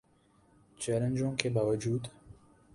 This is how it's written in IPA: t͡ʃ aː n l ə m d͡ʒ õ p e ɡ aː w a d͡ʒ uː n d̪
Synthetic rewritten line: t͡ʃ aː l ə n d͡ʒ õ k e b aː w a d͡ʒ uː d̪

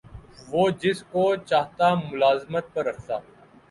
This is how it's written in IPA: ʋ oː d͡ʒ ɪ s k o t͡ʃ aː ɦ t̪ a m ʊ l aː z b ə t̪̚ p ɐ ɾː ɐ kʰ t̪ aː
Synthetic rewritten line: ʋ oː d͡ʒ ɪ s k o t͡ʃ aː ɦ t̪ a m ʊ l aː z m ə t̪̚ p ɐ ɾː ɐ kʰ t̪ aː

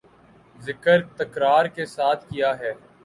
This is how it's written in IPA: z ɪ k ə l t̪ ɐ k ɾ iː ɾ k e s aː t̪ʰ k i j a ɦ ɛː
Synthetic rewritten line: z ɪ k ə ɾ t̪ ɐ k ɾ aː ɾ k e s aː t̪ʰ k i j a ɦ ɛː

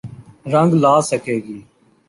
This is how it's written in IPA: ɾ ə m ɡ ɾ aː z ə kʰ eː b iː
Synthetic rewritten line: ɾ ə ŋ ɡ l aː s ə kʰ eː ɡ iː

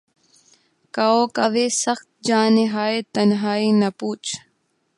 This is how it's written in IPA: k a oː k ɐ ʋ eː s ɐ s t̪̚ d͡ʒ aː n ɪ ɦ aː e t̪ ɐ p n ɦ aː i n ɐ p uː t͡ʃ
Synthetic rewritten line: k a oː k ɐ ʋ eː s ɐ x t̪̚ d͡ʒ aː n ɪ ɦ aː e t̪ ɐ n ɦ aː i n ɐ p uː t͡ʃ

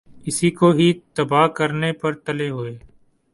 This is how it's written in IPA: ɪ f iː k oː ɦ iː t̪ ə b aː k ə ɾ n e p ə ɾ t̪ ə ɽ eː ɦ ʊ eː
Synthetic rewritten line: ɪ s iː k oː ɦ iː t̪ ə b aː k ə ɾ n e p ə ɾ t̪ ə l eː ɦ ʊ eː

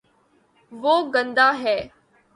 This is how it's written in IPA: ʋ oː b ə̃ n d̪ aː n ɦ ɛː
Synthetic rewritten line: ʋ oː ɡ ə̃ n d̪ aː ɦ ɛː

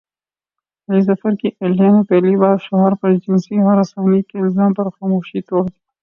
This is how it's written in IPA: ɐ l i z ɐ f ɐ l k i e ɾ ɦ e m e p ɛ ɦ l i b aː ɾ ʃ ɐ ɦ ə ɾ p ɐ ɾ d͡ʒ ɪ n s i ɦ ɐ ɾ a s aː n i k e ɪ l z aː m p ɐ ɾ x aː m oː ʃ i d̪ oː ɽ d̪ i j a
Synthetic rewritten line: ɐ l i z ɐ f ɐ ɾ k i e l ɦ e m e p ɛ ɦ l i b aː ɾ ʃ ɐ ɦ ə ɾ p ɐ ɾ d͡ʒ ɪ n s i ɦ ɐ ɾ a s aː n i k e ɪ l z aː m p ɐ ɾ x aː m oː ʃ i t̪ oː ɽ d̪ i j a

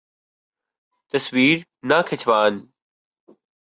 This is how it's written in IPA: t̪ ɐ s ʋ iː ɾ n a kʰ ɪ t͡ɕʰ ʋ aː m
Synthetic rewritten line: t̪ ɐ s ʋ iː ɾ n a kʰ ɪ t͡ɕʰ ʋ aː n

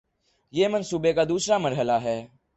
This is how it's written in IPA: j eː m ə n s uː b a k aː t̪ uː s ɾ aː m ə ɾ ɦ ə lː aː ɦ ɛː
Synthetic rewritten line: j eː m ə n s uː b e k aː d̪ uː s ɾ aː m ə ɾ ɦ ə l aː ɦ ɛː

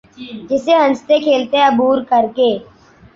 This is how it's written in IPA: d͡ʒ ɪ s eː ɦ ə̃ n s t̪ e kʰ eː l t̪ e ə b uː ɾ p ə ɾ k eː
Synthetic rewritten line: d͡ʒ ɪ s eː ɦ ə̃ n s t̪ e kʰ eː l t̪ e ə b uː ɾ k ə ɾ k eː

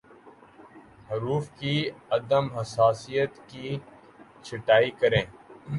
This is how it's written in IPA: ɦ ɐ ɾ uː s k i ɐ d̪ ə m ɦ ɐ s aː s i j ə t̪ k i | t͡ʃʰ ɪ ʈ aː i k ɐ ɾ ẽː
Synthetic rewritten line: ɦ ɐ ɾ uː f k i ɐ d̪ ə m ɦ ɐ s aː s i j ə t̪ k i | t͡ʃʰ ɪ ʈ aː i k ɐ ɾ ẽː

